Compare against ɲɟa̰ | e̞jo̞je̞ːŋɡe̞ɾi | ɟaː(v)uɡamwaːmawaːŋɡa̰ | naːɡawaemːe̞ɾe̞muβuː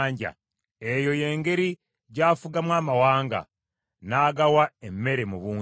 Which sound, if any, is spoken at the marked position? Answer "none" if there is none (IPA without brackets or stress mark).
f